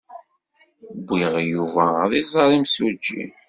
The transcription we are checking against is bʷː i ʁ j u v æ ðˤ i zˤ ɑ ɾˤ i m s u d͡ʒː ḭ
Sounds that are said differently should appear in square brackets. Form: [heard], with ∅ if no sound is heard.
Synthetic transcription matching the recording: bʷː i ʁ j u v æ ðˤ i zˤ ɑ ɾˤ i m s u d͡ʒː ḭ